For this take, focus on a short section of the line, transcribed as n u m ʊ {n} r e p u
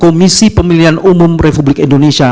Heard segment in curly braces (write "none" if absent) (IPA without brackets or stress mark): m